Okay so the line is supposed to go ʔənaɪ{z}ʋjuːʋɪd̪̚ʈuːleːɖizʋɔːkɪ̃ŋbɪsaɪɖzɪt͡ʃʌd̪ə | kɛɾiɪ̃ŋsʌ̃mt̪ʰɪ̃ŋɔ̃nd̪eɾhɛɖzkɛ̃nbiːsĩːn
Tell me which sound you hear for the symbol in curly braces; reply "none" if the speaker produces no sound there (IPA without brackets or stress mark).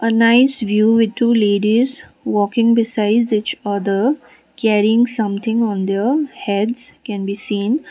s